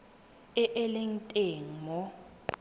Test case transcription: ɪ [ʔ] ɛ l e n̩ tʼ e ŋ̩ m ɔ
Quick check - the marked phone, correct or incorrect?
correct